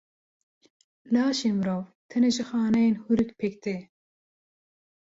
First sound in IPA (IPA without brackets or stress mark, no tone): l